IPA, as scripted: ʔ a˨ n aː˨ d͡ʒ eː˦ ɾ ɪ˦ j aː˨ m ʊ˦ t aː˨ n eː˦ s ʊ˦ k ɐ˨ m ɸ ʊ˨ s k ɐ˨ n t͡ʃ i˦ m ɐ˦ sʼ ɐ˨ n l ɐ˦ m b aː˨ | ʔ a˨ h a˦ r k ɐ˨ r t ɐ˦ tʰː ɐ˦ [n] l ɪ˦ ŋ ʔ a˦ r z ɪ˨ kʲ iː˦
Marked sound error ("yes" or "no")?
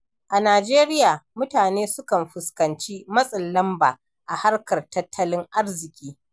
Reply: yes